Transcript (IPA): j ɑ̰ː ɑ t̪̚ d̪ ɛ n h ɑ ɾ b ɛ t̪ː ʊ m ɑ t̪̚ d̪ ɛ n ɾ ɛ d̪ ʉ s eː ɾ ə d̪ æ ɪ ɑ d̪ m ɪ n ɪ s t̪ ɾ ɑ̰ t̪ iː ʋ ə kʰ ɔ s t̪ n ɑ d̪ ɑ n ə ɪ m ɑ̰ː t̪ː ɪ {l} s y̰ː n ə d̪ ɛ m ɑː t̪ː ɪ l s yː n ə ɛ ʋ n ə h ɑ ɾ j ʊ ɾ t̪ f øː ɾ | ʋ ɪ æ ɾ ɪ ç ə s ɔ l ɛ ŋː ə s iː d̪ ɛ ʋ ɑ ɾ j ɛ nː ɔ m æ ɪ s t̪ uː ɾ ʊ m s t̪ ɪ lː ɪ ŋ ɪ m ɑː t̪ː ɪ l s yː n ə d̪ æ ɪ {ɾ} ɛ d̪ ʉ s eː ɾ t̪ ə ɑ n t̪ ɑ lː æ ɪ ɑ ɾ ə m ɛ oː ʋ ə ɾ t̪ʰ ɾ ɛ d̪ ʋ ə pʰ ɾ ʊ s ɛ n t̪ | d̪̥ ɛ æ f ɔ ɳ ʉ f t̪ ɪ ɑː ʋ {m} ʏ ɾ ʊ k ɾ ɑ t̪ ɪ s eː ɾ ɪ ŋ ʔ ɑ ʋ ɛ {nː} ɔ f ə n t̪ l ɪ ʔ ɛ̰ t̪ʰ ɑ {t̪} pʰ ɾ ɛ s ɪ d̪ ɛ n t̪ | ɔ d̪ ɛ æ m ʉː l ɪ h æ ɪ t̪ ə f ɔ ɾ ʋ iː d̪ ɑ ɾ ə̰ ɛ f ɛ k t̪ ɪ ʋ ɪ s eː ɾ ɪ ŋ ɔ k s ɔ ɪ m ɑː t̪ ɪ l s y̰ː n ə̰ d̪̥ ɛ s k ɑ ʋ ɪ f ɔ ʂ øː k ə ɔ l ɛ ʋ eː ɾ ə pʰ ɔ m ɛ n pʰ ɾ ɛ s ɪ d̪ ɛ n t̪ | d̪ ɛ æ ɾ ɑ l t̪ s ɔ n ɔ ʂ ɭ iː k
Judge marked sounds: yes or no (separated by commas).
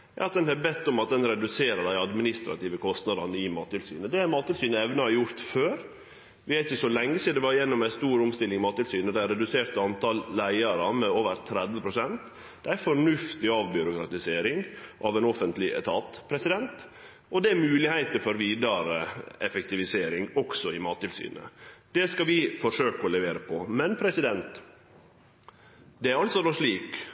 yes, yes, no, no, yes